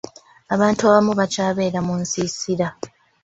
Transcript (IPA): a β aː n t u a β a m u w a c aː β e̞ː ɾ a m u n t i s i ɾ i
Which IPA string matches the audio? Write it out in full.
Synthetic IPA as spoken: a β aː n t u a β a m u β a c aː β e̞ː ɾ a m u n s i s i ɾ a